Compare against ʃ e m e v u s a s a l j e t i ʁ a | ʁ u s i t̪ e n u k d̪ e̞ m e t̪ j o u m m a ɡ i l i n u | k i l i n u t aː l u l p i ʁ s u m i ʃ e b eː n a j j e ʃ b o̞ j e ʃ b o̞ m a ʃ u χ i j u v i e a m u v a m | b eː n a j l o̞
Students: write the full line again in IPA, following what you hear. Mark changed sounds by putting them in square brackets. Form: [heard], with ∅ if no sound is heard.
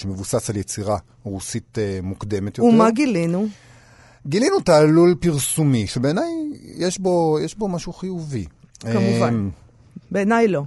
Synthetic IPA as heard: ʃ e m e v u s a s a l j e [t͡s] i ʁ a | ʁ u s i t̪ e [m] u k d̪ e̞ m e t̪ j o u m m a ɡ i l i n u | [ɡ] i l i n u t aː l u l p i ʁ s u m i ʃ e b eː n a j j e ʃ b o̞ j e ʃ b o̞ m a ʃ u χ i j u v i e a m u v a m | b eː n a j l o̞